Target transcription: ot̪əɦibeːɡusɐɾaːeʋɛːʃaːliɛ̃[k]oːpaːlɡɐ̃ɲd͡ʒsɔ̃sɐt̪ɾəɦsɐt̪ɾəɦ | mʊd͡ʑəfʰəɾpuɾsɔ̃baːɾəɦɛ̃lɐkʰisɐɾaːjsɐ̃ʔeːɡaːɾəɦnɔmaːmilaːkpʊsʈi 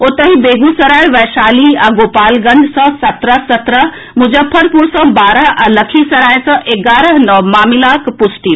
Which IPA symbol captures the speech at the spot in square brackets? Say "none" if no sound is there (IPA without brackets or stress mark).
ɡ